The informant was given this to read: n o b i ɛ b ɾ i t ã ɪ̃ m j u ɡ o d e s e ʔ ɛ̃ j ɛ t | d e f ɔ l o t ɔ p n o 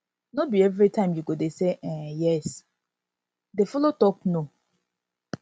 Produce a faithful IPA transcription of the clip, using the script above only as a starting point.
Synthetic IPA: n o b i ɛ v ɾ i t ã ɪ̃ m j u ɡ o d e s e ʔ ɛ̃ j ɛ s | d e f ɔ l o t ɔ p n o